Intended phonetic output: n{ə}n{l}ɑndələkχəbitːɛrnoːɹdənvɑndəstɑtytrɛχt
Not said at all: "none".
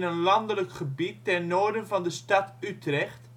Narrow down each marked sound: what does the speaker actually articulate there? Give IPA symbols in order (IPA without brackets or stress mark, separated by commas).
ə, l